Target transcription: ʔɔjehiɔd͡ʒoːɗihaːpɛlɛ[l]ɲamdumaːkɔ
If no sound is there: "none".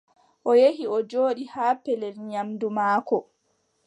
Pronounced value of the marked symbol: l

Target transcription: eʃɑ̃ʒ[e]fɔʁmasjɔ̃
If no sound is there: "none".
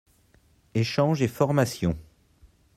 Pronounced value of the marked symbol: e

